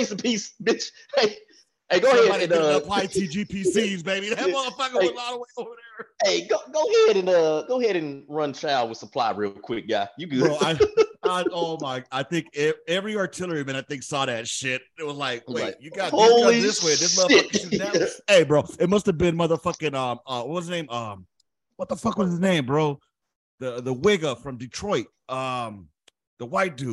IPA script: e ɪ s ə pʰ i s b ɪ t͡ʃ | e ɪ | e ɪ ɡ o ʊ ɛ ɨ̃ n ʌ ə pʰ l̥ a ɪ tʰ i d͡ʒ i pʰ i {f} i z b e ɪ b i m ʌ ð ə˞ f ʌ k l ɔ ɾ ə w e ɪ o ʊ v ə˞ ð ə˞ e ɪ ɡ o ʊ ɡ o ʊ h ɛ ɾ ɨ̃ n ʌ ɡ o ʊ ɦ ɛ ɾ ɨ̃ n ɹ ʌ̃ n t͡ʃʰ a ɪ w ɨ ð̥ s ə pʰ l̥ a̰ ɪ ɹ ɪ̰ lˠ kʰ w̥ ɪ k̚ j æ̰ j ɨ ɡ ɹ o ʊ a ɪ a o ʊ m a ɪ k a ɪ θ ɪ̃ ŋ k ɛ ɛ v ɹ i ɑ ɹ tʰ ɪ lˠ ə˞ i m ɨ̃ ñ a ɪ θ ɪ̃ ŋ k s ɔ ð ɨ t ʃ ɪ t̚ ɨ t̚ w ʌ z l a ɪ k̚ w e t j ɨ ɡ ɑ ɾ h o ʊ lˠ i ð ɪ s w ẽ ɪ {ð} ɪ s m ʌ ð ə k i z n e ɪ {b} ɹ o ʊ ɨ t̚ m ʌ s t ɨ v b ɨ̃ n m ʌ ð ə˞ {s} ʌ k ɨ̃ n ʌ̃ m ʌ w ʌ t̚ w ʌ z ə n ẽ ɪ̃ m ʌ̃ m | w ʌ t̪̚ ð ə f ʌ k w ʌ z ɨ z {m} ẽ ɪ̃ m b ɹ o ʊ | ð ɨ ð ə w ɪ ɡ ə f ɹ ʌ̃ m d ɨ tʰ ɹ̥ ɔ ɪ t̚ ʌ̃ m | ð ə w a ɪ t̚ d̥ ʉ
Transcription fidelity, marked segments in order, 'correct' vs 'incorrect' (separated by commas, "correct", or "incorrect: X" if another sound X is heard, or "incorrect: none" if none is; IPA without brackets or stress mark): incorrect: s, correct, correct, incorrect: f, incorrect: n